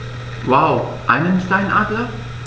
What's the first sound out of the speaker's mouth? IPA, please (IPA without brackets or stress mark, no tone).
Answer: w